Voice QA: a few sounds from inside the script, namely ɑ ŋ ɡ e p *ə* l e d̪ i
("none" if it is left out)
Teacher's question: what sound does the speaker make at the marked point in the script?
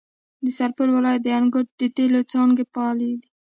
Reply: ɑ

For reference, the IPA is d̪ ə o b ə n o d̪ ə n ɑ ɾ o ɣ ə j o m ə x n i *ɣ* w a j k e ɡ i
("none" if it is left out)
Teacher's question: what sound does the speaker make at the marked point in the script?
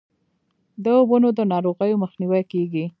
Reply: none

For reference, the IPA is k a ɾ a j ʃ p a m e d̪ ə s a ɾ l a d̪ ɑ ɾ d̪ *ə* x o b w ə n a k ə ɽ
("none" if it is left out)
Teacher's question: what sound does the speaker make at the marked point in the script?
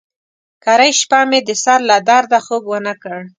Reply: a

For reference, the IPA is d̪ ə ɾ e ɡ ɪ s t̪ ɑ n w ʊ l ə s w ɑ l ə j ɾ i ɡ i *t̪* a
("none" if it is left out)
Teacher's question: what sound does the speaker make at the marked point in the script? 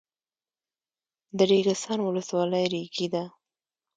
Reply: d̪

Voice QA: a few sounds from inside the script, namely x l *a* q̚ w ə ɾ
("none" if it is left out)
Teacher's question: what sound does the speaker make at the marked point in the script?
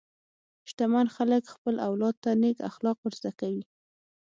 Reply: ɑ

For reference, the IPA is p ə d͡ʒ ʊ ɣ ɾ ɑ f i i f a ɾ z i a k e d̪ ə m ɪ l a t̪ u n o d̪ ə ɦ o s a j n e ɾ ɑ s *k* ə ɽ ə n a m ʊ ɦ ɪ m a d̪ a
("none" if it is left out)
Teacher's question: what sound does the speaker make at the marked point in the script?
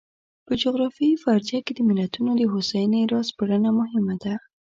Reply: p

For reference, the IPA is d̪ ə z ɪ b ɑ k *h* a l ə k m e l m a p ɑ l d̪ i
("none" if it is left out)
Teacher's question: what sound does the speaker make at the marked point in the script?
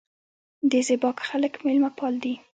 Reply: x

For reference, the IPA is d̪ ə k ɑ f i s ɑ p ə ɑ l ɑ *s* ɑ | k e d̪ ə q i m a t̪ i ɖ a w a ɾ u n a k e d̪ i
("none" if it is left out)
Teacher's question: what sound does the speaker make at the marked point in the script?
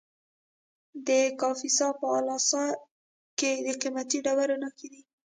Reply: s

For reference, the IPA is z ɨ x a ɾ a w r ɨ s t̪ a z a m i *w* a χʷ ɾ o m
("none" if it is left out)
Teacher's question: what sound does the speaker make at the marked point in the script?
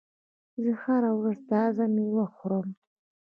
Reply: w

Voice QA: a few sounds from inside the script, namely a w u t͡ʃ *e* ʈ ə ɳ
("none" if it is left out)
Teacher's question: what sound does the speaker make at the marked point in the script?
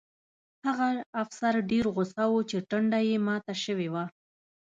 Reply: e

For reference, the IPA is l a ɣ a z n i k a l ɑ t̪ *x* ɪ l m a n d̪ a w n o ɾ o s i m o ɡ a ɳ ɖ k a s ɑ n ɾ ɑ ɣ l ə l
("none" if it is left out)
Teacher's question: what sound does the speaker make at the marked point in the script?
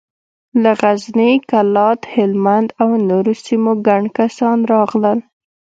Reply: h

